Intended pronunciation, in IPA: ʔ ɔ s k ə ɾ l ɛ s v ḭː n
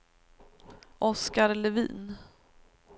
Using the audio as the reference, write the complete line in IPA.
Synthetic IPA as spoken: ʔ ɔ s k a ɾ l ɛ v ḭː n